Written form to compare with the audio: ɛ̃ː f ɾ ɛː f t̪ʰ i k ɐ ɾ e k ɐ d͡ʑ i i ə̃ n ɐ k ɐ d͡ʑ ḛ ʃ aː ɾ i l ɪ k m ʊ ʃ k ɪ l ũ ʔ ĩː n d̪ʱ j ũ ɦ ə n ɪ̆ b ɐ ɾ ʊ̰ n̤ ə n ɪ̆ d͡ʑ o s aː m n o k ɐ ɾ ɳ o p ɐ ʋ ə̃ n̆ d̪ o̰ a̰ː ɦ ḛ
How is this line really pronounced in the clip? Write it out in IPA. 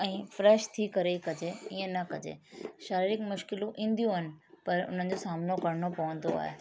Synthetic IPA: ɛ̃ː f ɾ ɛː ʃ t̪ʰ i k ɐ ɾ e k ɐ d͡ʑ e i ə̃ n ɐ k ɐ d͡ʑ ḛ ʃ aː ɾ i ɾ ɪ k m ʊ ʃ k ɪ l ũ ʔ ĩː n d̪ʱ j ũ ɦ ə n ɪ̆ p ɐ ɾ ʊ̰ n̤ ə n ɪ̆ d͡ʑ o s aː m n o k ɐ ɾ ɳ o p ɐ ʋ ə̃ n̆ d̪ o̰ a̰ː ɦ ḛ